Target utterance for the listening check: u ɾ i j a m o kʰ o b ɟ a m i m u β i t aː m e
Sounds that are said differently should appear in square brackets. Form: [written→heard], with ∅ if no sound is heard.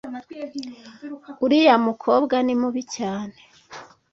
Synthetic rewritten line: u ɾ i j a m [o→u] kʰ o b [ɟ→ɡ] a [m→n] i m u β i [t→c] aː [m→n] e